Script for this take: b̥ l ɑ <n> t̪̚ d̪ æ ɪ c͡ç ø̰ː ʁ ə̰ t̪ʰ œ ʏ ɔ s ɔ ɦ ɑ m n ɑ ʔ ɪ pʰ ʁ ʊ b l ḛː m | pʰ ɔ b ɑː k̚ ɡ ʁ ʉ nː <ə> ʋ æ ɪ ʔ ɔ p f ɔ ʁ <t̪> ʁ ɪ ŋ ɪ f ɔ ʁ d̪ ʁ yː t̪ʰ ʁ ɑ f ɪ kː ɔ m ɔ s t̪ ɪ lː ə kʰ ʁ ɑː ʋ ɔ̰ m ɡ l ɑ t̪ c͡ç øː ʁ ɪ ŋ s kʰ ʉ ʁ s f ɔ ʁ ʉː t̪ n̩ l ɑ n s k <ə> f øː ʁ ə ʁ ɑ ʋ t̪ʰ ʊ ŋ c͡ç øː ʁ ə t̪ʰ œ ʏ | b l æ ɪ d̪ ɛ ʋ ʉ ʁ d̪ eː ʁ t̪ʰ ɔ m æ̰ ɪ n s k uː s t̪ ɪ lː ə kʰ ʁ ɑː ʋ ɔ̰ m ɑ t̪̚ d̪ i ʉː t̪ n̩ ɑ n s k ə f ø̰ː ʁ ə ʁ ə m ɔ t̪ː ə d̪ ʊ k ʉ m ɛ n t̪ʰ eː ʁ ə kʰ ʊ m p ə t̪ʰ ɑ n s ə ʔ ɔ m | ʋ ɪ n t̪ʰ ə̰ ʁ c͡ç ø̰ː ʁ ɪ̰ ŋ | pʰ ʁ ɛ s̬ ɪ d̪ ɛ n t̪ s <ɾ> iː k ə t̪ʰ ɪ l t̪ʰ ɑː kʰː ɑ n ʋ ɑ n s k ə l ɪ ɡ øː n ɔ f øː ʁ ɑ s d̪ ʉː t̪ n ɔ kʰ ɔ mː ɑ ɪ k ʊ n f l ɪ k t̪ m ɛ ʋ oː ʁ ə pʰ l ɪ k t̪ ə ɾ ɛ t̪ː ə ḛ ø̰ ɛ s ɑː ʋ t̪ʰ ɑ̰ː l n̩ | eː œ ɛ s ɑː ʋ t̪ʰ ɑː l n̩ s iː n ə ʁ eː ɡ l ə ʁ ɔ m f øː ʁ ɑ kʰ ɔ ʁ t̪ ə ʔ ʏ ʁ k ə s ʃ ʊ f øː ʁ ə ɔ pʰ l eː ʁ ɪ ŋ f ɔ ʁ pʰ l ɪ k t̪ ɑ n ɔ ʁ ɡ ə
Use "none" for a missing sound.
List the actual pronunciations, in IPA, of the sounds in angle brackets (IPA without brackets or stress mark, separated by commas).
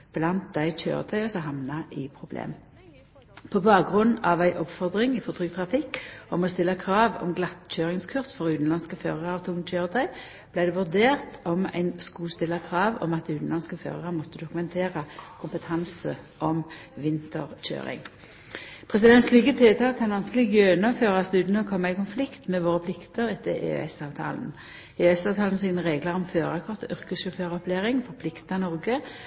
n, ɑ, d̪, ə, l